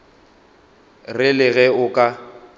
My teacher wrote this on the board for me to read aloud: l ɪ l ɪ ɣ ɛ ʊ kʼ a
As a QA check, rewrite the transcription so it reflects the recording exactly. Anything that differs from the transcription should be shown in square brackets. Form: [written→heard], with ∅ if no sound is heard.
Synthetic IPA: [l→r] ɪ l ɪ ɣ ɛ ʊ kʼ a